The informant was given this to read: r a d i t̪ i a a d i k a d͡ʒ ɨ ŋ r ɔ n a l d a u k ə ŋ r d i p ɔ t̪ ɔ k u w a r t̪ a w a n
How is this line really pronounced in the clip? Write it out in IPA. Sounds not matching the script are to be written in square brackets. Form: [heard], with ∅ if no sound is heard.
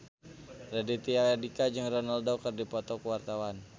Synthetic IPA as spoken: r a d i t̪ i a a d i k a d͡ʒ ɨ ŋ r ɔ n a l d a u k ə [∅] r d i p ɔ t̪ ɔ k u w a r t̪ a w a n